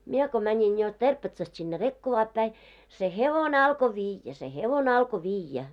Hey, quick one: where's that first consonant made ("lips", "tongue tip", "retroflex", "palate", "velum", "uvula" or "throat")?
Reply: lips